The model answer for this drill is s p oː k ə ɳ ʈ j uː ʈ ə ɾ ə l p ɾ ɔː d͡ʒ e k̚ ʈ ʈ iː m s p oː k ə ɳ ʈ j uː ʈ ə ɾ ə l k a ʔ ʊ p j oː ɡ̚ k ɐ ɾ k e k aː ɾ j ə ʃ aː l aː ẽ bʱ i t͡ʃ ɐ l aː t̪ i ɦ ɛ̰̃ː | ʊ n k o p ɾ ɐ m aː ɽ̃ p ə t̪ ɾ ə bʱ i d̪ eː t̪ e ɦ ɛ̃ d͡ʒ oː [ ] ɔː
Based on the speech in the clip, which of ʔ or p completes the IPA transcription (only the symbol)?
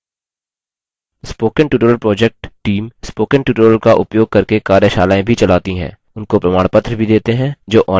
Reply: ʔ